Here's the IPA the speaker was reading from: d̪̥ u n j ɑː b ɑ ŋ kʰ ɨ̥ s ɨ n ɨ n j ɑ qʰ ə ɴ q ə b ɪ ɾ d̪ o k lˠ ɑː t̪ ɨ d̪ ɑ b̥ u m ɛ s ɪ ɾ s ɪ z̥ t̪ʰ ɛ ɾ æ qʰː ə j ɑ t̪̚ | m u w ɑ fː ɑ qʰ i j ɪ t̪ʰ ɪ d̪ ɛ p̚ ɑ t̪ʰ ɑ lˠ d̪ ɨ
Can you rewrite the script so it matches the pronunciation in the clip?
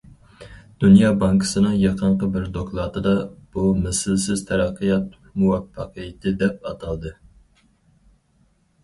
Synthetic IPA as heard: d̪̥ u n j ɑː b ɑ ŋ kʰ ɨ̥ s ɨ n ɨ ŋ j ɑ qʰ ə ɴ q ə b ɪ ɾ d̪ o k lˠ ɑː t̪ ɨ d̪ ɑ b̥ u m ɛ s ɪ l s ɪ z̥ t̪ʰ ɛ ɾ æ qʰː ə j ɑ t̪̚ | m u w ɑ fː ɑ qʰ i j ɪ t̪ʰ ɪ d̪ ɛ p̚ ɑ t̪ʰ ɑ lˠ d̪ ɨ